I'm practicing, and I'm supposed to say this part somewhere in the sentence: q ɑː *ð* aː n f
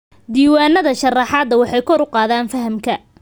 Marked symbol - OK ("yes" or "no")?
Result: yes